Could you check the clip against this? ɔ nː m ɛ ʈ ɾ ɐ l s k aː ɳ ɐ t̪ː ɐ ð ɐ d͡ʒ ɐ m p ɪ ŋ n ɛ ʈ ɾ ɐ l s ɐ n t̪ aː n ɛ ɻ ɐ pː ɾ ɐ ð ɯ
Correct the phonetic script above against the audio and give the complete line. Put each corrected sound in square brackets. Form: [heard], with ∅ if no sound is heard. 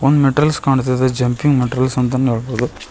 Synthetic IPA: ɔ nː m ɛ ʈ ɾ ɐ l s k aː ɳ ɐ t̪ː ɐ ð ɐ d͡ʒ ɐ m p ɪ ŋ [m] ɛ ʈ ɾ ɐ l s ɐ n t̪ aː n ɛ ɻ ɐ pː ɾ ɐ ð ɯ